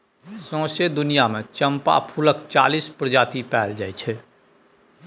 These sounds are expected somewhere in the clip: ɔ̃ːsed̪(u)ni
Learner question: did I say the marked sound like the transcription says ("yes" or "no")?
no